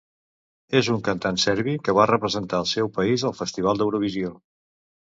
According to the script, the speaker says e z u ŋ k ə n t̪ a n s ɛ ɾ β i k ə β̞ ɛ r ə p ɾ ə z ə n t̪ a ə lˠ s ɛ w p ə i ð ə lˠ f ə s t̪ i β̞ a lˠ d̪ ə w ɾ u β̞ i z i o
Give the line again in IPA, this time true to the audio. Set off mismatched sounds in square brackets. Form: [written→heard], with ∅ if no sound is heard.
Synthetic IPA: e z u ŋ k ə n t̪ a n s ɛ ɾ β i k ə β̞ [ɛ→a] r ə p ɾ ə z ə n t̪ a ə lˠ s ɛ w p ə i [ð→z] ə lˠ f ə s t̪ i β̞ a lˠ d̪ ə w ɾ u β̞ i z i o